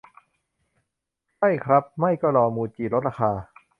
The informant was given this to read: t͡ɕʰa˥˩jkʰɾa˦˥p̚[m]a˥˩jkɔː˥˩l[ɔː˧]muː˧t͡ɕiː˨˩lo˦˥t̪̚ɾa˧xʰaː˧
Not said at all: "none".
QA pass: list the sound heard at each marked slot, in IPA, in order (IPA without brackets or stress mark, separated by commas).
m, ɔː˧